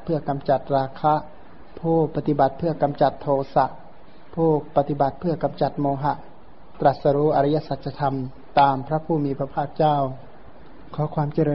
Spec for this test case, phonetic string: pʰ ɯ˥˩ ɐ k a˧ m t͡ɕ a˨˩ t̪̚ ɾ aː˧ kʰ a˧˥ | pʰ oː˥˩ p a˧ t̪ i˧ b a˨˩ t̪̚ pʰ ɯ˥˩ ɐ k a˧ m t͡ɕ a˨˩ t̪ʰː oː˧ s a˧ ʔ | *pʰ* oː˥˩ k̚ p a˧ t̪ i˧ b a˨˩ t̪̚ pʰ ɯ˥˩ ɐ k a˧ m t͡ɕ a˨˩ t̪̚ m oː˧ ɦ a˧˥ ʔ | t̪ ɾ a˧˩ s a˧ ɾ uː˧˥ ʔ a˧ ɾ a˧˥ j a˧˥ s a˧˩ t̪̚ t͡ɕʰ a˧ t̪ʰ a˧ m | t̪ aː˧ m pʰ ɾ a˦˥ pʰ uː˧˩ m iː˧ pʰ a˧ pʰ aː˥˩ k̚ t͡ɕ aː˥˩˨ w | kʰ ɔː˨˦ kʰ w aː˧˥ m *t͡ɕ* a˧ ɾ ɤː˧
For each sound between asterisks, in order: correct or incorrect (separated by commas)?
correct, correct